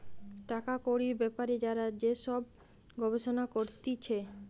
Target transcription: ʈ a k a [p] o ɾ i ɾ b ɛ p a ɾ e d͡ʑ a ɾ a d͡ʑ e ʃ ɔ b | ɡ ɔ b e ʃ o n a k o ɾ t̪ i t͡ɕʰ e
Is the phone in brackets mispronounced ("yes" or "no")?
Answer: yes